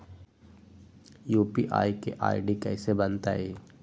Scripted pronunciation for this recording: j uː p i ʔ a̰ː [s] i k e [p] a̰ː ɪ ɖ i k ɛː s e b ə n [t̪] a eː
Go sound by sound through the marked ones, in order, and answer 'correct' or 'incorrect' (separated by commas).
incorrect, incorrect, correct